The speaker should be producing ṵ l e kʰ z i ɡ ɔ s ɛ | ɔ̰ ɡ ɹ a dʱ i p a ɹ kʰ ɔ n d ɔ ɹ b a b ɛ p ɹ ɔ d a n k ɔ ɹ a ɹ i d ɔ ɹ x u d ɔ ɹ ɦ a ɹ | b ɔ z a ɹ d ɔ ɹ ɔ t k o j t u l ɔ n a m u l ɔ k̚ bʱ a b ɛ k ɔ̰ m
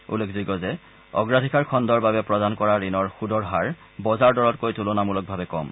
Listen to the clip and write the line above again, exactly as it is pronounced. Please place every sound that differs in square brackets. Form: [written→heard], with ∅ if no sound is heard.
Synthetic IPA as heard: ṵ l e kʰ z i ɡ ɔ [s→z] ɛ | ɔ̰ ɡ ɹ a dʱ i [p→k] a ɹ kʰ ɔ n d ɔ ɹ b a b ɛ p ɹ ɔ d a n k ɔ ɹ a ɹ i [d→n] ɔ ɹ x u d ɔ ɹ ɦ a ɹ | b ɔ z a ɹ d ɔ ɹ ɔ t k o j t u l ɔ n a m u l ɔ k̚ bʱ a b ɛ k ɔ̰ m